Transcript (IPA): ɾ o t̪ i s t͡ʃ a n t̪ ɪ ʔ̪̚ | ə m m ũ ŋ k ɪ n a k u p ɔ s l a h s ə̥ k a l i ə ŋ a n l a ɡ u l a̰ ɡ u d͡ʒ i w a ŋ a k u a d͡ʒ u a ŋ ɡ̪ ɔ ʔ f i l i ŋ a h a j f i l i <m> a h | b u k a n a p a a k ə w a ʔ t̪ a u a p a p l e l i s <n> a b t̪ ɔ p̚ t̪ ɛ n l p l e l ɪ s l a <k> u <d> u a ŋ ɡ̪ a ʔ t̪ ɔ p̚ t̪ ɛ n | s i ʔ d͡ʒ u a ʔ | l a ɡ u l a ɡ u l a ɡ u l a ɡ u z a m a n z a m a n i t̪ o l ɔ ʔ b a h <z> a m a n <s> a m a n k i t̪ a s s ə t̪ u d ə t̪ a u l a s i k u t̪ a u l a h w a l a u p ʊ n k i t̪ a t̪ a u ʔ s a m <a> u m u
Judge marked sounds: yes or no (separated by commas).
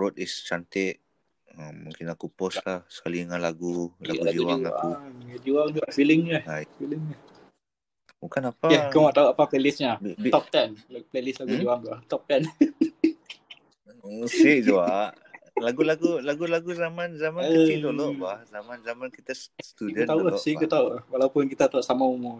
no, no, no, no, yes, no, yes